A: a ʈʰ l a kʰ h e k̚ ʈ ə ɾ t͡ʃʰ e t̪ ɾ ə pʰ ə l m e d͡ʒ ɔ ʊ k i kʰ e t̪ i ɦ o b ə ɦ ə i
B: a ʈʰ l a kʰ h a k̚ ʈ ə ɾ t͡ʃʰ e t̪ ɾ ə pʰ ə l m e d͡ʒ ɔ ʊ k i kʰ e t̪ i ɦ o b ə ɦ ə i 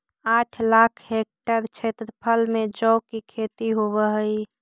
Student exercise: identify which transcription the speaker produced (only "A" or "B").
A